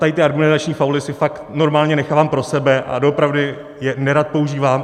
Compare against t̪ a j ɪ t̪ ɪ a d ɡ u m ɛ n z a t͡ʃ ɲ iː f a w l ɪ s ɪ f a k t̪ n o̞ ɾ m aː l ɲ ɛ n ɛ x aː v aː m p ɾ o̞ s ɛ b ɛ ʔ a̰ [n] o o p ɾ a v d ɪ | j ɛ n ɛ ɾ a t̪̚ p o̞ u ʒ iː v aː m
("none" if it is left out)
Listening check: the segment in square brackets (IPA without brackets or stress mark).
d